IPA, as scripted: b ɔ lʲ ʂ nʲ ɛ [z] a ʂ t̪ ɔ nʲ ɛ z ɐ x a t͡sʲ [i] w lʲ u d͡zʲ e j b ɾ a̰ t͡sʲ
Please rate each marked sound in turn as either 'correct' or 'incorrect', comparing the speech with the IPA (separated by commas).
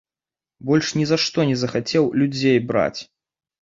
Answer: correct, incorrect